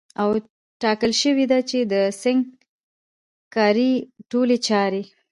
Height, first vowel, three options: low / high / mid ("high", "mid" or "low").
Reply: low